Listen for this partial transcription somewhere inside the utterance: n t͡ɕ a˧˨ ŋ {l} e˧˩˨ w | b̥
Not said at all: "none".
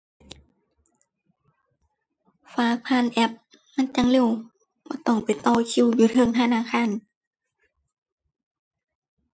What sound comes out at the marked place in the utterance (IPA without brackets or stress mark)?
l